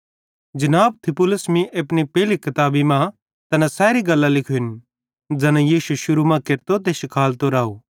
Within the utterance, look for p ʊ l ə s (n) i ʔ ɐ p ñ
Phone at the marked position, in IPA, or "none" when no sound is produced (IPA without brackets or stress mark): m